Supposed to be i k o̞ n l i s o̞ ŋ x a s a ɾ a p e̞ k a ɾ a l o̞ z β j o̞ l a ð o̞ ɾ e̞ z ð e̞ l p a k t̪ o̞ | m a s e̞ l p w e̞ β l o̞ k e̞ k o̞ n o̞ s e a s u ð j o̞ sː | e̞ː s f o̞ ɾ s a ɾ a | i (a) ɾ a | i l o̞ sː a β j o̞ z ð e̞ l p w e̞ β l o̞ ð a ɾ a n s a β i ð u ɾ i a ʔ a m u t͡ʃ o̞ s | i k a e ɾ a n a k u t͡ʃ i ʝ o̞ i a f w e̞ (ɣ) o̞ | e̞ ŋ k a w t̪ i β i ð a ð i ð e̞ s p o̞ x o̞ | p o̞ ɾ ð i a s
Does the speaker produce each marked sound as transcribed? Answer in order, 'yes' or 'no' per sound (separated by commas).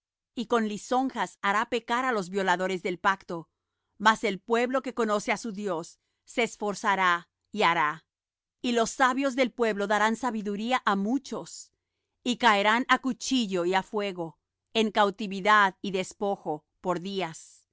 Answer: yes, yes